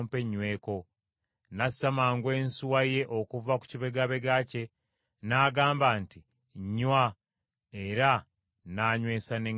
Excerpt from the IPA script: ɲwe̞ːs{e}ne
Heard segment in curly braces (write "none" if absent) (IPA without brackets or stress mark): a